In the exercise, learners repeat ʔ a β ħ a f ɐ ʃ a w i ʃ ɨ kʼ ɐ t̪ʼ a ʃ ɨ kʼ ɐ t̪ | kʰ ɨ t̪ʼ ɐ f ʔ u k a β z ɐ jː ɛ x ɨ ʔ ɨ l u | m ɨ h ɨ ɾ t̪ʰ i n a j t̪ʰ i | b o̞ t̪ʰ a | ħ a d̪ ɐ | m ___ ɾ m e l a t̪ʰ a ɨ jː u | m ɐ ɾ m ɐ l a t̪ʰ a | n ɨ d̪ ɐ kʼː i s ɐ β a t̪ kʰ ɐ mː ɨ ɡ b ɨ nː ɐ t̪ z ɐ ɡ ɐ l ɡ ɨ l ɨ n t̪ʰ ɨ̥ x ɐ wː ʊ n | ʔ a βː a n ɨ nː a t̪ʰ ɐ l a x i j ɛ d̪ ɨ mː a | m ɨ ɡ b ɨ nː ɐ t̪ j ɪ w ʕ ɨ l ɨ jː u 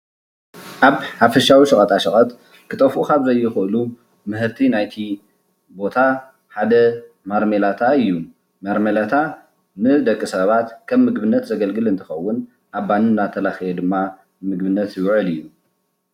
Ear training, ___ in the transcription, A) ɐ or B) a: B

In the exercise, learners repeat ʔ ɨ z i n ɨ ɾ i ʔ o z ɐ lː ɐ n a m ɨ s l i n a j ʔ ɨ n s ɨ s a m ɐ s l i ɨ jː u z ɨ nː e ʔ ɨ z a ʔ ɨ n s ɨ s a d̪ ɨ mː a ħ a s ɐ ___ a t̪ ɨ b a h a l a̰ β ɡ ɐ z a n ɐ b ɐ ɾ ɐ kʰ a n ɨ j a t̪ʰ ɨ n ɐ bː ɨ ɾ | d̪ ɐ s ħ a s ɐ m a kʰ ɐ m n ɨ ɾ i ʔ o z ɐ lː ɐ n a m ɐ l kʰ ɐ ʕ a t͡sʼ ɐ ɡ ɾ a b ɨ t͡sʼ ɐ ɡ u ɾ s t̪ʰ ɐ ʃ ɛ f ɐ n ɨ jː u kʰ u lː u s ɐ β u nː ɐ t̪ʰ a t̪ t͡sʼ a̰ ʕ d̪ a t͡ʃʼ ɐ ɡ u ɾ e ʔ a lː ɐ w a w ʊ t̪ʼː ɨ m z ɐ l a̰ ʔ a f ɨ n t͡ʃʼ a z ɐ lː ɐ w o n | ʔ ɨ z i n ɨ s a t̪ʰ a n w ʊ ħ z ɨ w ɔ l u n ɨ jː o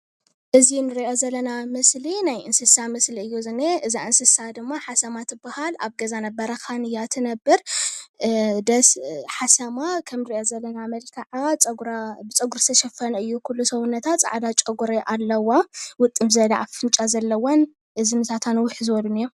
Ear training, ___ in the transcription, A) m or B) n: A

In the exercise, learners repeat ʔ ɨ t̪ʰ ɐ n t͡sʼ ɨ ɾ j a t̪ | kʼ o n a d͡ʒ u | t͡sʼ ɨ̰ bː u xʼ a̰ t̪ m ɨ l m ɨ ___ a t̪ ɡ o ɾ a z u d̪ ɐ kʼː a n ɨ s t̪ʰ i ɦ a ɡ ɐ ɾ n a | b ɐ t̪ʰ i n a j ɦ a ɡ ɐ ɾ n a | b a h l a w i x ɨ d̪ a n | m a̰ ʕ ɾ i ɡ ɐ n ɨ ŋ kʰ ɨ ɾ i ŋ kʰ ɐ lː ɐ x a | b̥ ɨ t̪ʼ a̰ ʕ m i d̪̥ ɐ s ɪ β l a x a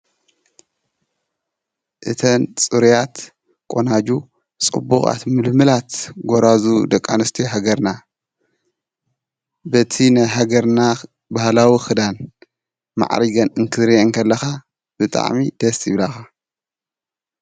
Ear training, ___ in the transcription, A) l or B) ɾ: A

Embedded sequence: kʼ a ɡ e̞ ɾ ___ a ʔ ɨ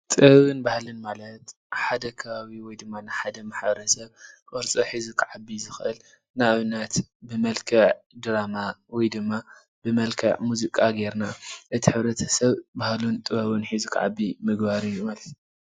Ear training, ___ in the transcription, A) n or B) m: A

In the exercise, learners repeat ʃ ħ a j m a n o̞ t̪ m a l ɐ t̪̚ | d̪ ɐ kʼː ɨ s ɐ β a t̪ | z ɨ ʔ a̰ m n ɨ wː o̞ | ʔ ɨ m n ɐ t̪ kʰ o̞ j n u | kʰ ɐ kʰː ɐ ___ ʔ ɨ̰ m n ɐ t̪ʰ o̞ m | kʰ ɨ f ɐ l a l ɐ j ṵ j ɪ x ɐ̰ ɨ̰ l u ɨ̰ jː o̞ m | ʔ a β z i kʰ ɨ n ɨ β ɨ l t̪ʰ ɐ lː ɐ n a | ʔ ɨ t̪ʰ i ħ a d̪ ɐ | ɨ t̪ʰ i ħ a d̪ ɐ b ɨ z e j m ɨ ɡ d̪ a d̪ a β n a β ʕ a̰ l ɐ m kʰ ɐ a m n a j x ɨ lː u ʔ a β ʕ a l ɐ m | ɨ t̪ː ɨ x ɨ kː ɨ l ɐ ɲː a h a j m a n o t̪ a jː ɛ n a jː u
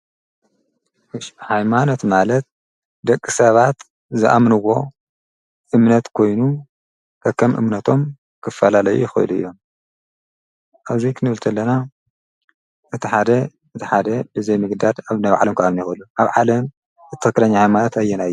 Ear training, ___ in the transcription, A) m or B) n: A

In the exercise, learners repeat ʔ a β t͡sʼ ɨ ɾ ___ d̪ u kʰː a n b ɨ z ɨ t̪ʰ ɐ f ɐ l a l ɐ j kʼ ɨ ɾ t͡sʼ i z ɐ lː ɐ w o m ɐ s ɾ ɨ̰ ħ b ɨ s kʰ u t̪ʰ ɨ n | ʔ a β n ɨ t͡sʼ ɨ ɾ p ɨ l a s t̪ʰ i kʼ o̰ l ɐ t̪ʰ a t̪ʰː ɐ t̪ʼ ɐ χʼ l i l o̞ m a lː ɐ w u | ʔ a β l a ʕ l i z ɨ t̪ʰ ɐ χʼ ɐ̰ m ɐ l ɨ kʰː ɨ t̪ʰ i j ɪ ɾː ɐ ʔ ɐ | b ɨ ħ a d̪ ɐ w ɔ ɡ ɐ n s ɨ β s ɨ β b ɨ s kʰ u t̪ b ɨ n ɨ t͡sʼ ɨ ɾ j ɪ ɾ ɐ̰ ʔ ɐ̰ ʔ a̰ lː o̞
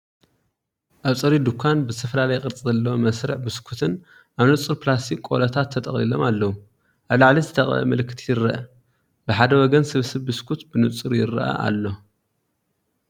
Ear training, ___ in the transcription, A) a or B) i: B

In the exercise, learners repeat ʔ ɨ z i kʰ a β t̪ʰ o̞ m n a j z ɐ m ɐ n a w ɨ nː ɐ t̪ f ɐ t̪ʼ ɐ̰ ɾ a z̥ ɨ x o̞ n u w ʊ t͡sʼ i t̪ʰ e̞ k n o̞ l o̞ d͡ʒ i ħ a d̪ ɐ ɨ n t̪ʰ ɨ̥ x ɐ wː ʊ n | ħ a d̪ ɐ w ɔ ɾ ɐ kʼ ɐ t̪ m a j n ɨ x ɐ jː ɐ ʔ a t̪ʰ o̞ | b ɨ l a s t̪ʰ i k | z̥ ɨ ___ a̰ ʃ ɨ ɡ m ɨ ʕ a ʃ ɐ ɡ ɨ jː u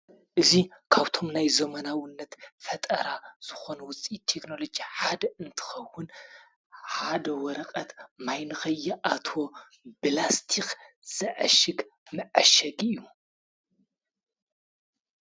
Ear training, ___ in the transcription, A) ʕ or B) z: A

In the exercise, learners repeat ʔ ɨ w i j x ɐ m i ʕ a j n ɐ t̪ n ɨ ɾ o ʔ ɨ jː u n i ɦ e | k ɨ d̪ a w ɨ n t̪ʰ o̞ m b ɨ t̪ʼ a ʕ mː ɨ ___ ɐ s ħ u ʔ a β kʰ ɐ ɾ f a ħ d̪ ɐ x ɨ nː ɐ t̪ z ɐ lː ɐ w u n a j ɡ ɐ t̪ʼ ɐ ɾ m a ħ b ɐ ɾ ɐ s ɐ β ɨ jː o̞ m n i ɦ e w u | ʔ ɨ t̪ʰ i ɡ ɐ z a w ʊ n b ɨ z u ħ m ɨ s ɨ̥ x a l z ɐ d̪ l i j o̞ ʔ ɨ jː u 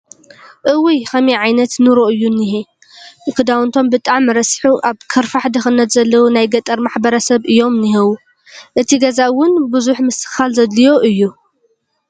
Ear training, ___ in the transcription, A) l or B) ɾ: B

